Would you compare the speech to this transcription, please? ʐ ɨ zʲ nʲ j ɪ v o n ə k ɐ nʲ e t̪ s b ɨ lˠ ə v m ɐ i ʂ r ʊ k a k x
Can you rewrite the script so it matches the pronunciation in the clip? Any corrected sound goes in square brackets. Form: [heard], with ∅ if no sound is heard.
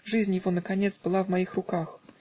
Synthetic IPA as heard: ʐ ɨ zʲ nʲ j ɪ v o n ə k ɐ nʲ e t̪ s b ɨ lˠ [a] v m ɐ i [x] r ʊ k a [∅] x